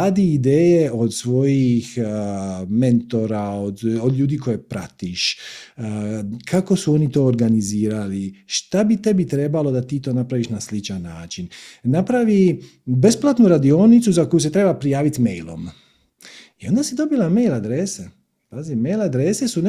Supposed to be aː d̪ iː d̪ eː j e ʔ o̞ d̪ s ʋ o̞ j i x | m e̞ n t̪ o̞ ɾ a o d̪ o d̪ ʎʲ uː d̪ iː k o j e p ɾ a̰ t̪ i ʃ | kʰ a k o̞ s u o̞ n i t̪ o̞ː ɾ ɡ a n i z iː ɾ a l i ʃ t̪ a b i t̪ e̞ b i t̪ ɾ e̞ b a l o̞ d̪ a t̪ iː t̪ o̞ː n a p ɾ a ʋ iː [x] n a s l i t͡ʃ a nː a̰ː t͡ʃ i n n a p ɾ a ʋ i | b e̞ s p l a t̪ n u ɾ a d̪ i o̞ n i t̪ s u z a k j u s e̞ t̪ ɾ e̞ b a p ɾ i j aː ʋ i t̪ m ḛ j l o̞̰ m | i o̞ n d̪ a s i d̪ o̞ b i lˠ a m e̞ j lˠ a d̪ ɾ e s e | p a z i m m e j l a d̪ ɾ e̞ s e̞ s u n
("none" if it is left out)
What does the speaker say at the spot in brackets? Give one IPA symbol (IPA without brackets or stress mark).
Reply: ʃ